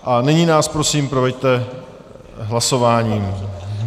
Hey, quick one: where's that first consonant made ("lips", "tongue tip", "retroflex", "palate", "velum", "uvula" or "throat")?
throat